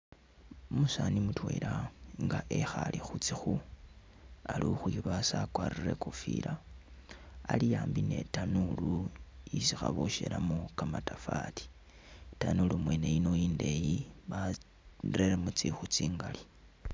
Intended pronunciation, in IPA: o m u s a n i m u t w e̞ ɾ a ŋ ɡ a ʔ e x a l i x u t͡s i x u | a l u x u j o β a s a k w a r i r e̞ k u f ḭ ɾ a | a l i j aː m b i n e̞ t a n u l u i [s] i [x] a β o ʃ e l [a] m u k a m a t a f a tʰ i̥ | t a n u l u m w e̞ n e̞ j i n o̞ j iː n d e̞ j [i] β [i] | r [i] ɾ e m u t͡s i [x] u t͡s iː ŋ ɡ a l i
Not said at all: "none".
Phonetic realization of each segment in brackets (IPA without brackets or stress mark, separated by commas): s, x, a, i, a, e, x